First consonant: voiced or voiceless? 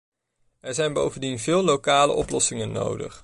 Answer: voiced